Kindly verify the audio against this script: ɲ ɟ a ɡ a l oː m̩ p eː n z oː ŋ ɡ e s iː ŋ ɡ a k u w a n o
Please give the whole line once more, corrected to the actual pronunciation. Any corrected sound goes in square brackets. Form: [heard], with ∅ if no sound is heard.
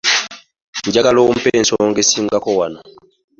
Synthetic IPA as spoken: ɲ ɟ a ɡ a l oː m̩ p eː n [s] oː ŋ ɡ e s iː ŋ ɡ a k [o] w a n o